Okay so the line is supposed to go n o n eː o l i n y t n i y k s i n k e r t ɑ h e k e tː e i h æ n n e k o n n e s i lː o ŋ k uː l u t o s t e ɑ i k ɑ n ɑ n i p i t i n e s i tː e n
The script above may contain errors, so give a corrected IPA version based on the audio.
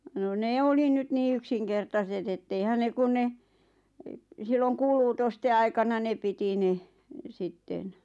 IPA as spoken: n o n eː o l i n y t n iː y k s i ŋ k e r t ɑ s e t e tː e i h æ n n e k u n n e s i lː o ŋ k uː l uː t o s t e ɑ i k ɑ n ɑ n e p i t i n e s i tː e n